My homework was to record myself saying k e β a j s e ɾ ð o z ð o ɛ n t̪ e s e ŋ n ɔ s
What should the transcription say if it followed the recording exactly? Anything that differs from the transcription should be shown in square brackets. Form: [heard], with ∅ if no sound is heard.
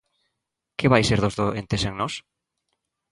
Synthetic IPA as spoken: k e β a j s e ɾ ð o z ð o [e] n t̪ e s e ŋ n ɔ s